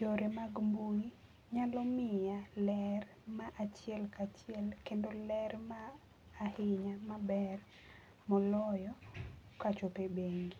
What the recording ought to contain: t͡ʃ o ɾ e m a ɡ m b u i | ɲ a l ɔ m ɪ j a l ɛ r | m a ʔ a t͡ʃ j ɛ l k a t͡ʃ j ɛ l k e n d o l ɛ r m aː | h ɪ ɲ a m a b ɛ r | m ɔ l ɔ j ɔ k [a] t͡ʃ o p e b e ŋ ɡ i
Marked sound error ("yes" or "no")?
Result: no